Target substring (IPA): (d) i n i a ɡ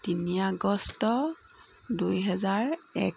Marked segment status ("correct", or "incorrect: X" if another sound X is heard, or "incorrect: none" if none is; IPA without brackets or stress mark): incorrect: t